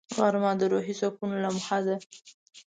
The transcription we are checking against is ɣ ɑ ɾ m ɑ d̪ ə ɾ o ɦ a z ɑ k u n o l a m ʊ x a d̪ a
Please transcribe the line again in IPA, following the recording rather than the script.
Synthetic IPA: ɣ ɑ ɾ m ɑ d̪ ə ɾ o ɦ i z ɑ k u n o l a m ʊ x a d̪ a